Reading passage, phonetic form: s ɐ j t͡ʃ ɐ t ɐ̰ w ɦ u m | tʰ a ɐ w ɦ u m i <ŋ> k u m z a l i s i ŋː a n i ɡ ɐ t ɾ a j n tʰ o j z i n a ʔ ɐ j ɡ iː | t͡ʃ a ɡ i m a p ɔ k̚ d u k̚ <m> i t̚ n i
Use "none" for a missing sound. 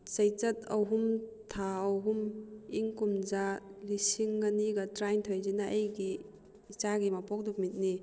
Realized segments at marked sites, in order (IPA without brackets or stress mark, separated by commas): ŋ, m